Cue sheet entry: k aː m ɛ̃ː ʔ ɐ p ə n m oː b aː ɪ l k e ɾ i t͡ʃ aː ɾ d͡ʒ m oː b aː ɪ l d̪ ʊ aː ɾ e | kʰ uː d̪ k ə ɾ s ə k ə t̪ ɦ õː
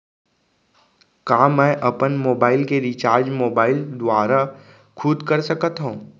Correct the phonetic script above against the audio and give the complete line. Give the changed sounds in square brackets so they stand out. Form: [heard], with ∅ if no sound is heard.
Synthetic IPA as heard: k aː m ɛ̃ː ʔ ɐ p ə n m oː b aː ɪ l k e ɾ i t͡ʃ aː ɾ d͡ʒ m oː b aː ɪ l d̪ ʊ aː ɾ [a] | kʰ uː d̪ k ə ɾ s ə k ə t̪ ɦ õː